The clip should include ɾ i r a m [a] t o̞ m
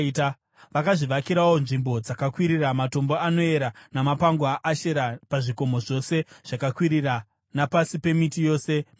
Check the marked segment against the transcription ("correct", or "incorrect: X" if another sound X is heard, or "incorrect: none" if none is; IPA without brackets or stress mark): correct